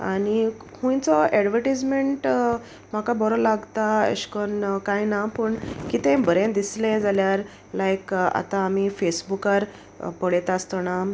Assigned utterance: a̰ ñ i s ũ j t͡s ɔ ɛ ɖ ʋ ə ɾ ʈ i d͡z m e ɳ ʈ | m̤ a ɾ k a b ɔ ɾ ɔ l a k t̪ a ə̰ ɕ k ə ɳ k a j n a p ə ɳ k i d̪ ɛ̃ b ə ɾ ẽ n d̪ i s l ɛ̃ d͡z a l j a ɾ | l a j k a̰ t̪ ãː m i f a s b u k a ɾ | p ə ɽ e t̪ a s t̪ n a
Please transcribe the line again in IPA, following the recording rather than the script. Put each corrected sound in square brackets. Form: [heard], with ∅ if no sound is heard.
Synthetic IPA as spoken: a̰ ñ i [h] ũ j t͡s ɔ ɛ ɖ ʋ ə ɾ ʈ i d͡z m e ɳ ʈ | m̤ a [∅] k a b ɔ ɾ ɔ l a [ɡ] t̪ a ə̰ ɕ k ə [n] k a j n a p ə ɳ k i [t̪] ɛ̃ b ə ɾ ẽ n d̪ i s l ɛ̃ d͡z a l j a ɾ | l a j k a̰ t̪ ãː m i f [e] s b u k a ɾ | p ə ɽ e t̪ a s t̪ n a